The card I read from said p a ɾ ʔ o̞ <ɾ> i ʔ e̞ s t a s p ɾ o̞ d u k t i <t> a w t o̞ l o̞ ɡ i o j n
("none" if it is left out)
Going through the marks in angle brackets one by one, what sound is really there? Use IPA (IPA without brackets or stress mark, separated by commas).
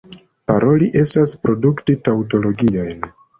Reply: l, t